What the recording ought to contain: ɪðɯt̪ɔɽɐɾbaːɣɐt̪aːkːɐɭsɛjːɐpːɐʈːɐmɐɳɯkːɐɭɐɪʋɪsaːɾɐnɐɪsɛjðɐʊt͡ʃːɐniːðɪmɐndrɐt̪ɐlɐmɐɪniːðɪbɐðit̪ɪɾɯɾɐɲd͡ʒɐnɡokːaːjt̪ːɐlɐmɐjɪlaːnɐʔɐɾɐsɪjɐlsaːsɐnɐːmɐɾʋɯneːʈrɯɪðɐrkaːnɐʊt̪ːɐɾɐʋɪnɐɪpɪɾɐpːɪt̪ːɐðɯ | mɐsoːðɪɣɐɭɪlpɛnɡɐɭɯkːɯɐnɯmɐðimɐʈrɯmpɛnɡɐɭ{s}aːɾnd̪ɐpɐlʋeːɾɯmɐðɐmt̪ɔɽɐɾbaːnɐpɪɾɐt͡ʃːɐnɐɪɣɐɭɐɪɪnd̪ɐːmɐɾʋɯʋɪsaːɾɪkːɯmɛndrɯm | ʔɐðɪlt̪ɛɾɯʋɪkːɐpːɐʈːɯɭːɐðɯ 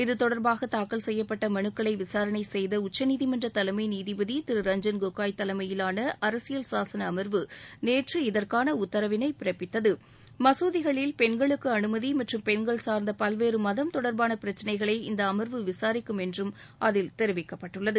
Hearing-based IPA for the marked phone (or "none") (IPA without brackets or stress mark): s